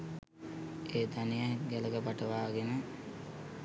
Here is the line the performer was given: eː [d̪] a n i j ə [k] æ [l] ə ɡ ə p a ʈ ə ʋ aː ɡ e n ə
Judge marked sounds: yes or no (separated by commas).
yes, no, yes